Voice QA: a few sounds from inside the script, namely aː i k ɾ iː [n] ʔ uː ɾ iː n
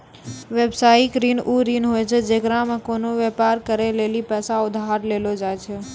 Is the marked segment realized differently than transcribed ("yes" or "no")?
no